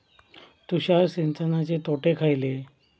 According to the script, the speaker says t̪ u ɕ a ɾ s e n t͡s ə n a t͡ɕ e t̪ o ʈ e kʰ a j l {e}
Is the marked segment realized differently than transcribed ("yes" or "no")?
no